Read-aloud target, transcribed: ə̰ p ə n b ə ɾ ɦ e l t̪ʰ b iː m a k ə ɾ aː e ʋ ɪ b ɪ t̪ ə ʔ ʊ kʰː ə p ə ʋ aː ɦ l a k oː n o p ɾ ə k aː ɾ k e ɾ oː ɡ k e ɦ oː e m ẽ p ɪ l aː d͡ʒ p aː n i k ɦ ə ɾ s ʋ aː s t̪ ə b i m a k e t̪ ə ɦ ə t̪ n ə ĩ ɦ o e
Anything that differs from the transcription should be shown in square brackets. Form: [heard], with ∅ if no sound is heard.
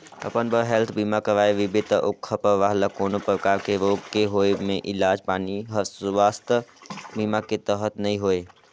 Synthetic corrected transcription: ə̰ p ə n b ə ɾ ɦ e l t̪ʰ b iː m a k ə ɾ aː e ʋ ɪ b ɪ t̪ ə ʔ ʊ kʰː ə p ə ʋ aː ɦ l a k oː n o p ɾ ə k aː ɾ k e ɾ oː ɡ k e ɦ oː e m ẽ [ʔ] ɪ l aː d͡ʒ p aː n i [∅] ɦ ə ɾ s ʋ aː s t̪ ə b i m a k e t̪ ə ɦ ə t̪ n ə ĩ ɦ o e